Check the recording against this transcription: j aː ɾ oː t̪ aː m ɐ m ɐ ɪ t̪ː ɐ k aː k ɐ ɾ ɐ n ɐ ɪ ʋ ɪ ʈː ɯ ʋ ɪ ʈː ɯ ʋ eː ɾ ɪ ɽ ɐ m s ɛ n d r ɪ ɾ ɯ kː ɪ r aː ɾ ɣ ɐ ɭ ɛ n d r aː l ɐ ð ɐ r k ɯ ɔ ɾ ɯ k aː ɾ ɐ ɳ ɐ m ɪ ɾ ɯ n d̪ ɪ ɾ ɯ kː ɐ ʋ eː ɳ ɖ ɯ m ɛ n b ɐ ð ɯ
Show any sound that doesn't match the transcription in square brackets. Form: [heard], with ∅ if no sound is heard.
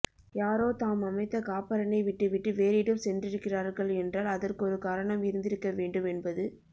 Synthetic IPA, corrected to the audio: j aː ɾ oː t̪ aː m ɐ m ɐ ɪ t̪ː ɐ k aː [p] ɐ ɾ ɐ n ɐ ɪ ʋ ɪ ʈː ɯ ʋ ɪ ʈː ɯ ʋ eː ɾ ɪ ɽ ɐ m s ɛ n d r ɪ ɾ ɯ kː ɪ r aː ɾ ɣ ɐ ɭ ɛ n d r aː l ɐ ð ɐ r k ɯ ɔ ɾ ɯ k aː ɾ ɐ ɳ ɐ m ɪ ɾ ɯ n d̪ ɪ ɾ ɯ kː ɐ ʋ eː ɳ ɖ ɯ m ɛ n b ɐ ð ɯ